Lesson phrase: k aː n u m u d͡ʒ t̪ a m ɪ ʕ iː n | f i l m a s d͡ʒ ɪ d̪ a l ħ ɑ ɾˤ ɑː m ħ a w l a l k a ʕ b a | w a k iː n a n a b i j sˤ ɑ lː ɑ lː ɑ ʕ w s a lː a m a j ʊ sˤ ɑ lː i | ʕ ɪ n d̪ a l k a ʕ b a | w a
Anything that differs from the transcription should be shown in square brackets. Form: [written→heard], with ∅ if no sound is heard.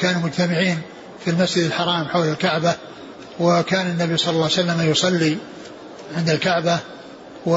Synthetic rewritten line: k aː n u m [u→ʊ] d͡ʒ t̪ a m ɪ ʕ iː n | f i l m a s d͡ʒ ɪ d̪ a l ħ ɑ ɾˤ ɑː m ħ a w l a l k a ʕ b a | w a k [iː→aː] n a [n→nː] a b i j sˤ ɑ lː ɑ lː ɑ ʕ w s a lː a m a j ʊ sˤ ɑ lː i | ʕ ɪ n d̪ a l k a ʕ b a | w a